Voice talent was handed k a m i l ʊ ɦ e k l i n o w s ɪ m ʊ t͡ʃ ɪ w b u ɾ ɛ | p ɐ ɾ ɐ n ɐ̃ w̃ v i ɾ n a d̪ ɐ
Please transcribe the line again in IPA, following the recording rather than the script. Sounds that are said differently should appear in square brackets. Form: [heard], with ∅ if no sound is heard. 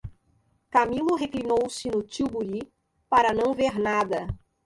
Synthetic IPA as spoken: k a m i l ʊ ɦ e k l i n o w s ɪ [n] ʊ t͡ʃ [i] w b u ɾ [i] | p [a] ɾ ɐ n ɐ̃ w̃ v [e] ɾ n a d̪ ɐ